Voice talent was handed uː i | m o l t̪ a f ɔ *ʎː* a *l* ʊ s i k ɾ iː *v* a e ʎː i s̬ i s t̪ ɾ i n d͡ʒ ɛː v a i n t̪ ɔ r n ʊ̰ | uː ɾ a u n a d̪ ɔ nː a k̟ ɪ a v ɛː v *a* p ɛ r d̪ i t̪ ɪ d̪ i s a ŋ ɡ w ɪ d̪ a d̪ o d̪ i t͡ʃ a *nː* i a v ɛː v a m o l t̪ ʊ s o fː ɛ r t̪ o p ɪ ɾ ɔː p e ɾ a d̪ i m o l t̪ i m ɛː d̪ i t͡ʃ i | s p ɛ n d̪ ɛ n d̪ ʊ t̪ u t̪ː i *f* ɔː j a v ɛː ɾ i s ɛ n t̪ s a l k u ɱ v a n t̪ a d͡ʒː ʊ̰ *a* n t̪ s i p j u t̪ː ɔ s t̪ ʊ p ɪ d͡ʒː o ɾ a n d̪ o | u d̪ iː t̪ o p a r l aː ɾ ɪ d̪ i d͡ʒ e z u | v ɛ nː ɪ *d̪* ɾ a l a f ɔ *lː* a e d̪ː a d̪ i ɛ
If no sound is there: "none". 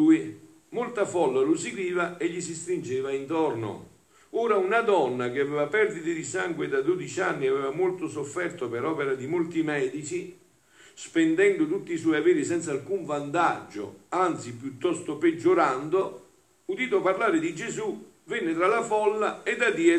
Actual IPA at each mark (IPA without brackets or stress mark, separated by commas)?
lː, l, v, a, nː, s, a, t̪, lː